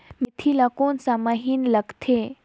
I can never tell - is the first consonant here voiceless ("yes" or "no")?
no